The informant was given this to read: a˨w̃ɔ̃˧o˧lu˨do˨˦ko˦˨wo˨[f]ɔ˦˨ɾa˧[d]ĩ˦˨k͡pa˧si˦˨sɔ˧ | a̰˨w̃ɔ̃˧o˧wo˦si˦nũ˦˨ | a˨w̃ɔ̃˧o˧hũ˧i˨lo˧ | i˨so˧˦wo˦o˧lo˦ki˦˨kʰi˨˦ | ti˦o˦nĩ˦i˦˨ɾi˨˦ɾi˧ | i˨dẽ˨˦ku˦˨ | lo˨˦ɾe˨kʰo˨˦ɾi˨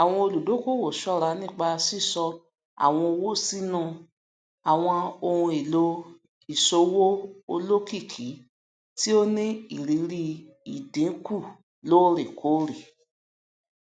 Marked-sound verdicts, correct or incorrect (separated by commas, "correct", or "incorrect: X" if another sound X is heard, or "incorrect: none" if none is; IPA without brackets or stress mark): incorrect: ʃ, incorrect: n